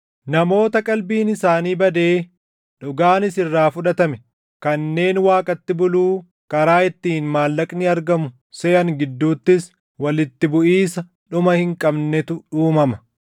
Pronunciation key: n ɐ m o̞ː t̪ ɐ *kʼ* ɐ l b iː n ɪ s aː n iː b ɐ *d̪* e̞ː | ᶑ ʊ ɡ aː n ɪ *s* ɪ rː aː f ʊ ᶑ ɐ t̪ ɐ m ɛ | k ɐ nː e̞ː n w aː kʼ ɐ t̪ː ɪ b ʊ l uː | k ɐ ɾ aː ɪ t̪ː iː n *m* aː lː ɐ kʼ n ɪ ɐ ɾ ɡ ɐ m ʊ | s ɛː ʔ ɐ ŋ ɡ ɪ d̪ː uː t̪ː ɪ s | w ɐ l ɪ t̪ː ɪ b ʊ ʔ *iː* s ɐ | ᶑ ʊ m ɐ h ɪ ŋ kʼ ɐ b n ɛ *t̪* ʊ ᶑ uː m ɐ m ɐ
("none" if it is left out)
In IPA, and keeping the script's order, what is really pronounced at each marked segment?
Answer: kʼ, d̪, s, m, iː, t̪

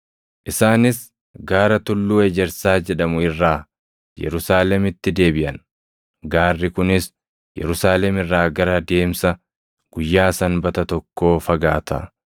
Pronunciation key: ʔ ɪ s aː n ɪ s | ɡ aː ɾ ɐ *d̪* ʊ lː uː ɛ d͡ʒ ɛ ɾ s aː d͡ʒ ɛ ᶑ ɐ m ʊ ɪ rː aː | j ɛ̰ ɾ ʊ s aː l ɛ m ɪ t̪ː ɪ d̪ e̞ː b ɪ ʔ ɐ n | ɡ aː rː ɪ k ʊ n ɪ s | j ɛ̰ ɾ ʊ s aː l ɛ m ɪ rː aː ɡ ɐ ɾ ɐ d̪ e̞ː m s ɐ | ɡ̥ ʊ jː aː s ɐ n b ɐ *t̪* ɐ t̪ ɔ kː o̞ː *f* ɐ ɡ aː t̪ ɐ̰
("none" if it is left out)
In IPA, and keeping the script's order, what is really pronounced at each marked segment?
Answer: t̪, t̪, f

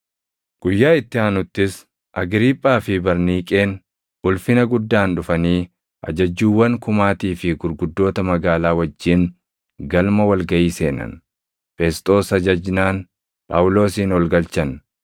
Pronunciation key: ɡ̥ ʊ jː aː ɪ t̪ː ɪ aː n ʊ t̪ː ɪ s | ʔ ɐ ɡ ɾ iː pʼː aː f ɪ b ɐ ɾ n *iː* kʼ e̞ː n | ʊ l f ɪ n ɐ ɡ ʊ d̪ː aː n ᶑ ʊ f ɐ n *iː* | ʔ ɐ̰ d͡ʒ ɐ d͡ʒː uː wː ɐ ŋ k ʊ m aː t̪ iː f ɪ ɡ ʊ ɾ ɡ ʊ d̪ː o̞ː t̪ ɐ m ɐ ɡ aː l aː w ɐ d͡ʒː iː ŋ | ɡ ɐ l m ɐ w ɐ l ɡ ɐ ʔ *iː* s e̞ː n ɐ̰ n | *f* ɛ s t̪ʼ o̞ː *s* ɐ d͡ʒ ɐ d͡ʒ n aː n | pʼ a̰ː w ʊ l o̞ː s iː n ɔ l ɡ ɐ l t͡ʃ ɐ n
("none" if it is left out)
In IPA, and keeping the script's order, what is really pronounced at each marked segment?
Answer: iː, iː, iː, f, s

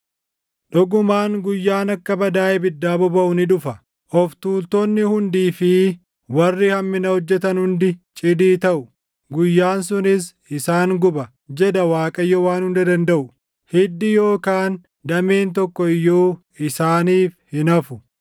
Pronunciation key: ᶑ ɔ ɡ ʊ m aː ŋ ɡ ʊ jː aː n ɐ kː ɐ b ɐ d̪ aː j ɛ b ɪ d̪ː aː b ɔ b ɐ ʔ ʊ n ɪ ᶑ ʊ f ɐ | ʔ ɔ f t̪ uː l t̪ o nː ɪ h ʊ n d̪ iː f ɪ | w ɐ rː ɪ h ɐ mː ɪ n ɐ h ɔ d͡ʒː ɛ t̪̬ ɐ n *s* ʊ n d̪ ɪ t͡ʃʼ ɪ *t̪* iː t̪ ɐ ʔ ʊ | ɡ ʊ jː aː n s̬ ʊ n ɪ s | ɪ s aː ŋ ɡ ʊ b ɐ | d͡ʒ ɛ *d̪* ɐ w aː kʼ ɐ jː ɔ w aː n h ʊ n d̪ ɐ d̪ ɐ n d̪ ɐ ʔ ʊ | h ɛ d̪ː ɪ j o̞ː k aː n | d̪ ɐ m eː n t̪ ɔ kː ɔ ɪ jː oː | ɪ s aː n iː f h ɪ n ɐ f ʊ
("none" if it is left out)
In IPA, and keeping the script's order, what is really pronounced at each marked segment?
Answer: h, d̪, d̪

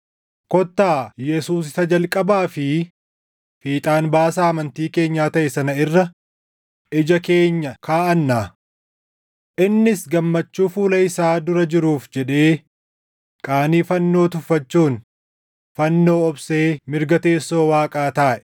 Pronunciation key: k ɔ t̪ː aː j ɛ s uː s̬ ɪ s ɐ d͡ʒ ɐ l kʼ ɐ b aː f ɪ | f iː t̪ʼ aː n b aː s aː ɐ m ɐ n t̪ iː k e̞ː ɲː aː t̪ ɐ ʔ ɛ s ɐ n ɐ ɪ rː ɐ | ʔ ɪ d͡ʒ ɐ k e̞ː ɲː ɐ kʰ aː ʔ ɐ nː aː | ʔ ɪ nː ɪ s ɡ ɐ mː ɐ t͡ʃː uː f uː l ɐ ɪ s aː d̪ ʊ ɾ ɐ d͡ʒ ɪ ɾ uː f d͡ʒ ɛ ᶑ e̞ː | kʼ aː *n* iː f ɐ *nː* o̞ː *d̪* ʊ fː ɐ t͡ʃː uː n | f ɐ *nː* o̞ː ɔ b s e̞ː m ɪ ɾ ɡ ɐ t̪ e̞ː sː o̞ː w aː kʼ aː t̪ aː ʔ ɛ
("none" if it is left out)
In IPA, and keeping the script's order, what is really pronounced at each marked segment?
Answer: n, nː, t̪, nː

